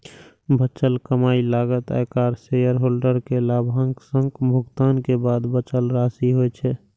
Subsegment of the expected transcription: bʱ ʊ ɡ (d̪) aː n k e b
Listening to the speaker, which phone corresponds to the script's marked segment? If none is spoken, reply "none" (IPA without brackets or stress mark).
t̪